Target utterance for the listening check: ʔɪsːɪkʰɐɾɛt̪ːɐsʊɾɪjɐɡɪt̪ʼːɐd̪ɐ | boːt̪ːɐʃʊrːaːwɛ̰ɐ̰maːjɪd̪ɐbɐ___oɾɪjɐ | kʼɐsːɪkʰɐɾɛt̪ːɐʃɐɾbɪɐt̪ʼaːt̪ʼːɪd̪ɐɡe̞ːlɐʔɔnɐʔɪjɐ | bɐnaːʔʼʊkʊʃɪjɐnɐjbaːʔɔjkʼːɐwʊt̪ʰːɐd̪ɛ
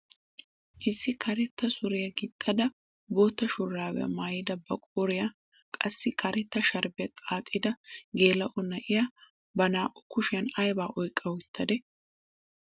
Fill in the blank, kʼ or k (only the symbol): kʼ